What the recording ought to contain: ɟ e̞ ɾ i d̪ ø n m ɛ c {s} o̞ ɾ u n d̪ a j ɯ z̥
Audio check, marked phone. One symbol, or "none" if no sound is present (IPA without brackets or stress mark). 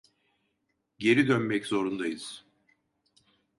z